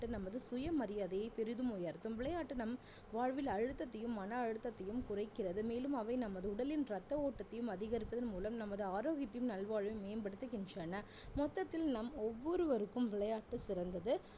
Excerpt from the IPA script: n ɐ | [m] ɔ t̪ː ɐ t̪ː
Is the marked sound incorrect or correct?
correct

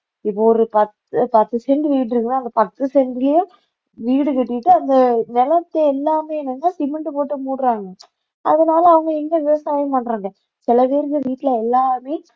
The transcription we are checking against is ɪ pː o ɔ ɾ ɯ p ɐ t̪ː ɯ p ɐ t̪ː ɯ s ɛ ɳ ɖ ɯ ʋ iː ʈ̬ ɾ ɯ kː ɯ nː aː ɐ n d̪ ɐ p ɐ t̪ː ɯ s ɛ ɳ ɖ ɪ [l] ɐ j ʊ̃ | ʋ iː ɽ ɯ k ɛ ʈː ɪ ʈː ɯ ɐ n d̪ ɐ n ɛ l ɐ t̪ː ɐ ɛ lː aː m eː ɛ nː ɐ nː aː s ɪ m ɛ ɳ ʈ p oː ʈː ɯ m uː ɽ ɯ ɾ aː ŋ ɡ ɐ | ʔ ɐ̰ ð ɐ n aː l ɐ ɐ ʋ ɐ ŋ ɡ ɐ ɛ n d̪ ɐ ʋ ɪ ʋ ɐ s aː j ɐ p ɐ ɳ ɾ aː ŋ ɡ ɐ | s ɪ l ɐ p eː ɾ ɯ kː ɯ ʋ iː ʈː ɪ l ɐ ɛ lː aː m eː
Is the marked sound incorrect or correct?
correct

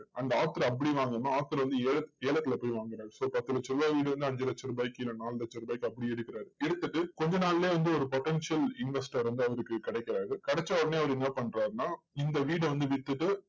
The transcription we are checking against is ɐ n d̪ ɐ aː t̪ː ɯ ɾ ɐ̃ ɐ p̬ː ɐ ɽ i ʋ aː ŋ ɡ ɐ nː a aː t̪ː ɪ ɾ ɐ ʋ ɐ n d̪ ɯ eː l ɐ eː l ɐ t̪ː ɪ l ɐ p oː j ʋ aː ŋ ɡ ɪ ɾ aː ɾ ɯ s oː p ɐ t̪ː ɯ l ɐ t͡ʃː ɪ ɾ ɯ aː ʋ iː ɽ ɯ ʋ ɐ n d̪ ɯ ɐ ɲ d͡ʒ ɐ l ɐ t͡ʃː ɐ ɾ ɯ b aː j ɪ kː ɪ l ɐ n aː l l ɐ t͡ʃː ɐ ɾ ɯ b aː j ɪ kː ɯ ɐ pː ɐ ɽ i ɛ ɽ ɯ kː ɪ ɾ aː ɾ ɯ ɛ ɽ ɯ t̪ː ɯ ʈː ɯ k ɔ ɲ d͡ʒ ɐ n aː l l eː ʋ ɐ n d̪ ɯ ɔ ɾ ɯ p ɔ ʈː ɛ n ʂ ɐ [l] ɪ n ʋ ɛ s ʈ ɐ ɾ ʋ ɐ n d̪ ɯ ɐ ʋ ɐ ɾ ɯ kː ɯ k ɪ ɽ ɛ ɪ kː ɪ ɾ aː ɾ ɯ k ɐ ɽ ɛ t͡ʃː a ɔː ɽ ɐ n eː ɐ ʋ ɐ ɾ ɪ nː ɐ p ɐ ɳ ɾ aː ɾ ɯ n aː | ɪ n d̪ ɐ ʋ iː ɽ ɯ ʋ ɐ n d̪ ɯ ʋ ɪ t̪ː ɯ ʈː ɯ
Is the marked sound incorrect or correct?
correct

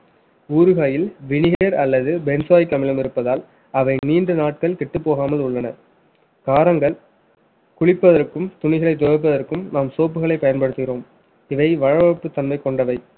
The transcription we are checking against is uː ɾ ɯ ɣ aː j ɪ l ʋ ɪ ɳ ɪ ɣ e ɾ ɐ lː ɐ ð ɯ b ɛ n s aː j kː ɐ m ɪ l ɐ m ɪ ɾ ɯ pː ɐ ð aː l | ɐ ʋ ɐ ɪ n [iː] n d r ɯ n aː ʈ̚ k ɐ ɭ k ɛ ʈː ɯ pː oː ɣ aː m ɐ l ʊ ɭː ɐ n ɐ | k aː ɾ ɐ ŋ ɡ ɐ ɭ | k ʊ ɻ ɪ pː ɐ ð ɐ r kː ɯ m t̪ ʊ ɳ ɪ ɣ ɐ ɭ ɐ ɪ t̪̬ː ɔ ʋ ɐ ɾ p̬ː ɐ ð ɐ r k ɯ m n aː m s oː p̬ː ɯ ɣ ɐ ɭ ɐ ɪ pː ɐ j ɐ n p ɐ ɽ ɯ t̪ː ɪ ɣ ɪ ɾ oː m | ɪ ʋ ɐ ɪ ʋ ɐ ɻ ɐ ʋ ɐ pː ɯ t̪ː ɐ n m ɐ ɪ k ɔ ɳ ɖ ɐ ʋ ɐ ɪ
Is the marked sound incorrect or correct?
correct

